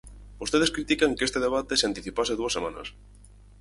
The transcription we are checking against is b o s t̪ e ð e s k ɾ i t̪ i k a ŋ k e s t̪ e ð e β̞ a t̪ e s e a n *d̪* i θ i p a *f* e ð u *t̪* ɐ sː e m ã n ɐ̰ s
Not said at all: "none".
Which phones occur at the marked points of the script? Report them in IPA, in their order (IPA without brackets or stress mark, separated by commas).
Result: t̪, s, none